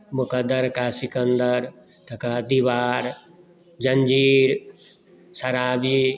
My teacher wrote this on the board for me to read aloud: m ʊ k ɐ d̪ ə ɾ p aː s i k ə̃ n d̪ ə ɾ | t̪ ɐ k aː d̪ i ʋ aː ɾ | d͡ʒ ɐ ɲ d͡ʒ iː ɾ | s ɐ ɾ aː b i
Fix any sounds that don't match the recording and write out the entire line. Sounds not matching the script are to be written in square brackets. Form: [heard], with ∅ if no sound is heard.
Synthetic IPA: m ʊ k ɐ d̪ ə ɾ [k] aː s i k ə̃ n d̪ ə ɾ | t̪ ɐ k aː d̪ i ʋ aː ɾ | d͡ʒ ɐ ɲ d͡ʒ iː ɾ | s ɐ ɾ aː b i